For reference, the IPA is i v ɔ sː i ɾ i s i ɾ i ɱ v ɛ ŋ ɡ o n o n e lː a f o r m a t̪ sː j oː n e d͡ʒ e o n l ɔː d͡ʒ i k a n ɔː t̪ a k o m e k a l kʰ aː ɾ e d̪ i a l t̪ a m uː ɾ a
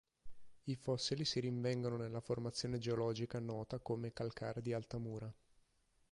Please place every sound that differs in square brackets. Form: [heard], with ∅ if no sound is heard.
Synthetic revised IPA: i [f] ɔ sː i [l] i s i ɾ i ɱ v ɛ ŋ ɡ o n o n e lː a f o r m a t̪ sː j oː n e d͡ʒ e o [∅] l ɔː d͡ʒ i k a n ɔː t̪ a k o m e k a l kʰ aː ɾ e d̪ i a l t̪ a m uː ɾ a